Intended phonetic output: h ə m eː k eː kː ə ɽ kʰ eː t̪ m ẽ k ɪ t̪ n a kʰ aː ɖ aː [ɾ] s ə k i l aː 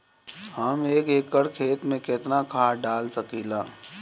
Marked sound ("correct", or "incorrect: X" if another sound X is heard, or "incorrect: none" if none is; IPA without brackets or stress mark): incorrect: l